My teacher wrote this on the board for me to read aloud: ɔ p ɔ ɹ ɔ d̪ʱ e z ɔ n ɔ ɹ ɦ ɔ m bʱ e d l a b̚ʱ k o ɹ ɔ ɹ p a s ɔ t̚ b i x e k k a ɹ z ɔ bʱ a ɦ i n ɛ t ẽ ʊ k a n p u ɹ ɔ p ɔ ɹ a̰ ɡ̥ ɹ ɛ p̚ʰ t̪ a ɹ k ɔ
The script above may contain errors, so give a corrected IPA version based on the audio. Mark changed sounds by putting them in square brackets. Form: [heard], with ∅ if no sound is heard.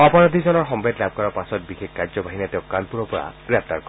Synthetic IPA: ɔ p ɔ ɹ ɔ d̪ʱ [i] z ɔ n ɔ ɹ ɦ ɔ m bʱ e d l a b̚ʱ k [ɔ] ɹ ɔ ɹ p a s ɔ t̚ b i x e k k a ɹ z ɔ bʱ a ɦ i n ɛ t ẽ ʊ k a n p u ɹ ɔ p ɔ ɹ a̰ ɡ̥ ɹ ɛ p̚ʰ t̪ a ɹ k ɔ